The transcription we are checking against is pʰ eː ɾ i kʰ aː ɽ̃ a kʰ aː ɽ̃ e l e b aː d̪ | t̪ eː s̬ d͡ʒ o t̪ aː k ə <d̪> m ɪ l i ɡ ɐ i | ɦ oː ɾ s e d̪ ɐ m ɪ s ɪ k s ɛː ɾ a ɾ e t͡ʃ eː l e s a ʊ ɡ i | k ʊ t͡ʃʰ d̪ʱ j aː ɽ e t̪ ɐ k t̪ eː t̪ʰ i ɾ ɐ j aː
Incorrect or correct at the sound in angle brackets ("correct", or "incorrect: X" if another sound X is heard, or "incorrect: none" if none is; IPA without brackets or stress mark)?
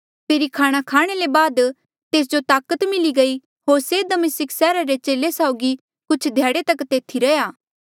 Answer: incorrect: t̪